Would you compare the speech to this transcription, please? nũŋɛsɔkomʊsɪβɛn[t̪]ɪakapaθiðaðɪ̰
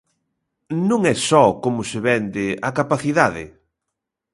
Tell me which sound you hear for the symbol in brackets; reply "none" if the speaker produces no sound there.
d̪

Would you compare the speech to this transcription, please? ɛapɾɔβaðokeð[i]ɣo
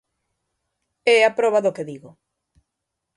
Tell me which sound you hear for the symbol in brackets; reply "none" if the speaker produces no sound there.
i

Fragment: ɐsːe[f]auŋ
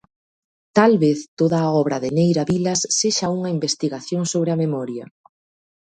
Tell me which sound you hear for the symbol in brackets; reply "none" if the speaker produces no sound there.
ʃ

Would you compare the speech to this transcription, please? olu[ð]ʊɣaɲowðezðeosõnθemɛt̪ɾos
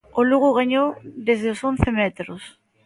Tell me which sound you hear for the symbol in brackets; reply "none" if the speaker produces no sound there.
ɣ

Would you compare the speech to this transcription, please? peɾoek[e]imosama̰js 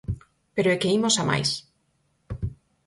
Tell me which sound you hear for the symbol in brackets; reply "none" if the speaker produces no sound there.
e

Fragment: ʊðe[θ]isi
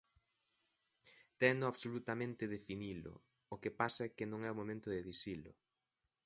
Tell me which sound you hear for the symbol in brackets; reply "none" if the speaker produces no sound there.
ð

